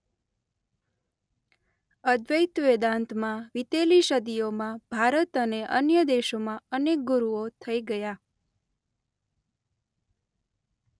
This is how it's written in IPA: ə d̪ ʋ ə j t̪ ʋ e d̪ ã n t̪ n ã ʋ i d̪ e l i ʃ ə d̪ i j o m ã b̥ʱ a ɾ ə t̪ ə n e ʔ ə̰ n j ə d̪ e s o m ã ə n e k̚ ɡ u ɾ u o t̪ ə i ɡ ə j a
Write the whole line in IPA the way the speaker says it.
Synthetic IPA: ə d̪ ʋ ə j t̪ ʋ e d̪ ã n t̪ m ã ʋ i t̪ e l i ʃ ə d̪ i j o m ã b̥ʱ a ɾ ə t̪ ə n e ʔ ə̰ n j ə d̪ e ʃ o m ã ə n e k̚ ɡ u ɾ u o t̪ʰ ə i ɡ ə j a